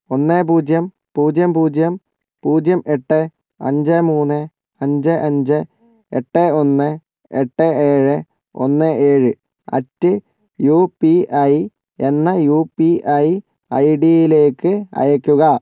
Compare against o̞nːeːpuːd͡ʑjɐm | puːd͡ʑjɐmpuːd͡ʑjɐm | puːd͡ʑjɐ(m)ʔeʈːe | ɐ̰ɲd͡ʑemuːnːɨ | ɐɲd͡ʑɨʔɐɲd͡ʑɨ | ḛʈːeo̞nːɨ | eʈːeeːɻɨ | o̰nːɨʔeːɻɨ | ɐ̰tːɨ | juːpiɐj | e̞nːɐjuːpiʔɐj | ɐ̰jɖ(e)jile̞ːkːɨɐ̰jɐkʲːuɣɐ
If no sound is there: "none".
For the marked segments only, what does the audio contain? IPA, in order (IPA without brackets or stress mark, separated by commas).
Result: m, i